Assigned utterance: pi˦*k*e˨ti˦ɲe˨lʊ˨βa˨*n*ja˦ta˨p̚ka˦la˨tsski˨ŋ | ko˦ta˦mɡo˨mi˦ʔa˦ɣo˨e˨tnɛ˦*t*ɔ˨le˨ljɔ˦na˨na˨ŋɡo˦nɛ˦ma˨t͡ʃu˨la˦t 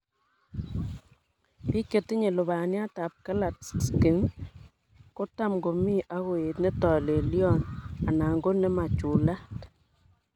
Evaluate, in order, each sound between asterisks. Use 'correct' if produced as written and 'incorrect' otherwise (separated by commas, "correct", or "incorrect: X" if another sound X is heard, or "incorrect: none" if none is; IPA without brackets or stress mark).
correct, correct, correct